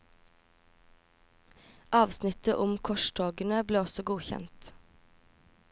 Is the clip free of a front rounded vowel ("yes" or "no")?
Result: yes